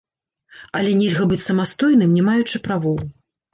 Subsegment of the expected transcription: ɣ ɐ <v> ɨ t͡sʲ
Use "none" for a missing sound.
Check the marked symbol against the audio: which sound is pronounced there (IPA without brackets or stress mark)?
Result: b